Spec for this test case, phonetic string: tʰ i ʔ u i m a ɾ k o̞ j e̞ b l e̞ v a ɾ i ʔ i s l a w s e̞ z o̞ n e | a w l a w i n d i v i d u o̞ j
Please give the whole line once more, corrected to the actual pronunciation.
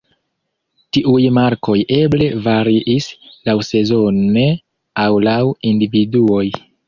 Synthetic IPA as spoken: t i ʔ u j m a ɾ k o̞ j e̞ b l e̞ v a ɾ i ʔ i s l a w s e̞ z o̞ n e | a w l a w i n d i v i d u o̞ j

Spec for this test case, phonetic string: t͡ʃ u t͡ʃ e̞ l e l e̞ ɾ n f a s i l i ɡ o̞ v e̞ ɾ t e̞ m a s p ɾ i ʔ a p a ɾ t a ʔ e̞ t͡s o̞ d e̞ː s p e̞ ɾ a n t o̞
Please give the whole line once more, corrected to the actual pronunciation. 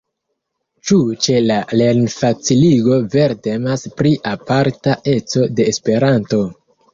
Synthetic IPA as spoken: t͡ʃ u t͡ʃ e̞ l a l e̞ ɾ n f a t͡s i l i ɡ o̞ v e̞ ɾ t e̞ m a s p ɾ i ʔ a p a ɾ t a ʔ e̞ t͡s o̞ d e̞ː s p e̞ ɾ a n t o̞

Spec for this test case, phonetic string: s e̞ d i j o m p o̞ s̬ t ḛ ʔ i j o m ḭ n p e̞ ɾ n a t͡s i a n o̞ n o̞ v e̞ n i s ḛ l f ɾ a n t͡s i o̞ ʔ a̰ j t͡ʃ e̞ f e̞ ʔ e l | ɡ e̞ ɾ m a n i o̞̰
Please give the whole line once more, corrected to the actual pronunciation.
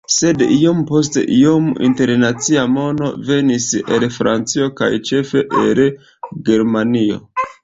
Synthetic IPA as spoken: s e̞ d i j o m p o̞ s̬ t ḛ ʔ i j o m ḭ n t e̞ ɾ n a t͡s i a m o̞ n o̞ v e̞ n i s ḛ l f ɾ a n t͡s i o̞ k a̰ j t͡ʃ e̞ f e̞ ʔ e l | ɡ e̞ ɾ m a n i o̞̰

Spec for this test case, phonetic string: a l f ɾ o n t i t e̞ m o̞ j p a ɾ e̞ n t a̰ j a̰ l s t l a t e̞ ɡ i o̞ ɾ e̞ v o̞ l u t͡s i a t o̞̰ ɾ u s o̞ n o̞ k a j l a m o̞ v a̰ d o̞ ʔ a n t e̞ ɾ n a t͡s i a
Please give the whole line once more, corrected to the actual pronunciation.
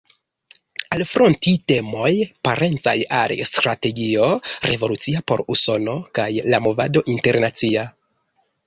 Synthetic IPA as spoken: a l f ɾ o n t i t e̞ m o̞ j p a ɾ e̞ n t͡s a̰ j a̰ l s t ɾ a t e̞ ɡ i o̞ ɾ e̞ v o̞ l u t͡s i a p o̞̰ ɾ u s o̞ n o̞ k a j l a m o̞ v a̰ d o̞ ʔ i n t e̞ ɾ n a t͡s i a

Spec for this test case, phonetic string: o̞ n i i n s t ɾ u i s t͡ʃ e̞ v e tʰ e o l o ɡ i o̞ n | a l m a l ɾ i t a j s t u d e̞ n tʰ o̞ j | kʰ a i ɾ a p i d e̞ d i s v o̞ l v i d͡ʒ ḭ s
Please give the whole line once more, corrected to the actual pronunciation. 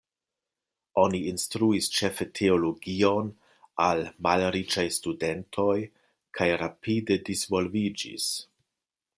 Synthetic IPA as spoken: o̞ n i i n s t ɾ u i s t͡ʃ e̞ f e tʰ e o l o ɡ i o̞ n | a l m a l ɾ i t͡ʃ a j s t u d e̞ n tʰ o̞ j | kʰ a j ɾ a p i d e̞ d i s v o̞ l v i d͡ʒ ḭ s

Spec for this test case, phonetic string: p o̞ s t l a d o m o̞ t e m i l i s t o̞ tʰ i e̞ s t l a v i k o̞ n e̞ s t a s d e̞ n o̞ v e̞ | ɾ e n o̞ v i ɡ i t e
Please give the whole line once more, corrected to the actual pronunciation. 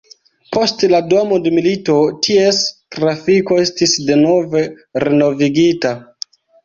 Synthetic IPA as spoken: p o̞ s t l a d o m o̞ d e m i l i t o̞ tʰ i e̞ s t ɾ a f i k o̞ e̞ s t i s d e̞ n o̞ v e̞ | ɾ e n o̞ v i ɡ i t a

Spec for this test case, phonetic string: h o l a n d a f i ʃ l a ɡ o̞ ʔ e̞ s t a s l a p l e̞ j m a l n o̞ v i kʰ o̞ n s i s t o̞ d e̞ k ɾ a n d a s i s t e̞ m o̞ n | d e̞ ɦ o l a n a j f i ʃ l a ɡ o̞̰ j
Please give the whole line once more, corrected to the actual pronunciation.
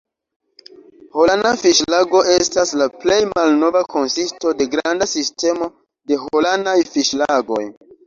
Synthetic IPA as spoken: h o l a n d a f i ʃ l a ɡ o̞ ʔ e̞ s t a s l a p l e̞ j m a l n o̞ v a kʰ o̞ n s i s t o̞ d e̞ ɡ ɾ a n d a s i s t e̞ m o̞ | d e̞ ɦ o l a n a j f i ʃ l a ɡ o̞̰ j

